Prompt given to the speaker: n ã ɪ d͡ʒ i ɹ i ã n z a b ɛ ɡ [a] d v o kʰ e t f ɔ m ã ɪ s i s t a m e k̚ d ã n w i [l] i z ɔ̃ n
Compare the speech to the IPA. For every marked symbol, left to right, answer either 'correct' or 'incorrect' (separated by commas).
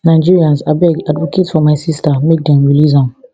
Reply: correct, correct